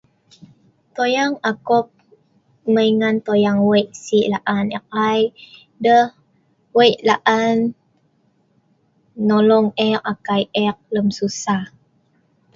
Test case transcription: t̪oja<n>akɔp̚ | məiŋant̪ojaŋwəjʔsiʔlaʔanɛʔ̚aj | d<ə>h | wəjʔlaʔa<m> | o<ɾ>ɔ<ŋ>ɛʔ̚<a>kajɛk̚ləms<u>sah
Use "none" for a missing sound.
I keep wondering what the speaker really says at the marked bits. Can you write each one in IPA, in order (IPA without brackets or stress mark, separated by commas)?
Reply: ŋ, ə, n, l, ŋ, a, u